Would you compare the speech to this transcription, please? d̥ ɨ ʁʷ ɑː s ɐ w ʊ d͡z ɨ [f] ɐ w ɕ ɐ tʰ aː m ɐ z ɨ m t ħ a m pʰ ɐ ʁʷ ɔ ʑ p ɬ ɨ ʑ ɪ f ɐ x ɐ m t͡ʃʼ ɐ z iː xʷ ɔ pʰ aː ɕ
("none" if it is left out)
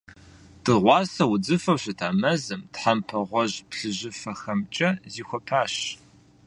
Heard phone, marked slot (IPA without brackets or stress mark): f